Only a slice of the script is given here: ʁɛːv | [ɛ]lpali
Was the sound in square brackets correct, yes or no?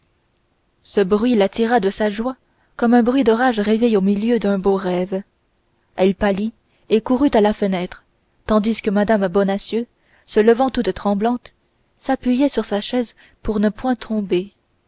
yes